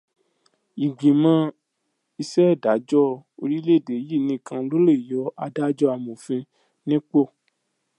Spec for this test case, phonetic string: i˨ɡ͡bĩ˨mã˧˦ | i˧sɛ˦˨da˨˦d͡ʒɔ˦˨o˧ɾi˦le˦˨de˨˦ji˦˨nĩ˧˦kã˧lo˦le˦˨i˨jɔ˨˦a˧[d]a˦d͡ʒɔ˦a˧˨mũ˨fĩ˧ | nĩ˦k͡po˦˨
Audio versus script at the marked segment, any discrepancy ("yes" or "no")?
no